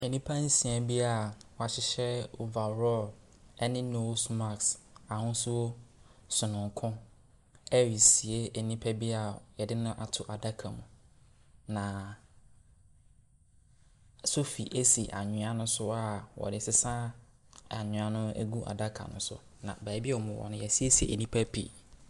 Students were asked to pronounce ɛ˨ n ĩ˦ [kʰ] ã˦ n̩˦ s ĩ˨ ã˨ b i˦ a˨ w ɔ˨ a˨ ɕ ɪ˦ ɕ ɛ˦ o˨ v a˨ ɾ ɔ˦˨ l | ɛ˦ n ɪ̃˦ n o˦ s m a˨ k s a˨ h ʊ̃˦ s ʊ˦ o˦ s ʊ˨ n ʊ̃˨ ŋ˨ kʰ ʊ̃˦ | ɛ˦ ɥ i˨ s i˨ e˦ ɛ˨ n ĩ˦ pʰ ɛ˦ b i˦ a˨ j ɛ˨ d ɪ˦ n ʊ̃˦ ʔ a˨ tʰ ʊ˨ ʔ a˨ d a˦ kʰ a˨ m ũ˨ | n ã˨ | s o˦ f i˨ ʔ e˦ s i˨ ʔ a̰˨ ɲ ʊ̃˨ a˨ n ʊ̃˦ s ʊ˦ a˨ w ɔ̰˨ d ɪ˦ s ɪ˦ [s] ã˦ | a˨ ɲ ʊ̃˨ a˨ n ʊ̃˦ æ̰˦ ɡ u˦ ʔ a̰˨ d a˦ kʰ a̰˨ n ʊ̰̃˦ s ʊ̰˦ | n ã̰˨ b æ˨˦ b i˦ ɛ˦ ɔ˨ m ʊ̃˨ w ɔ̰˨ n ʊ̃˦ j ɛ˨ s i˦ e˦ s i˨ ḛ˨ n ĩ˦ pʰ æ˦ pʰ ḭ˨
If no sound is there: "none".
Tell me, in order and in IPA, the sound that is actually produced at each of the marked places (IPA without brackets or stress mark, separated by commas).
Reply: pʰ, s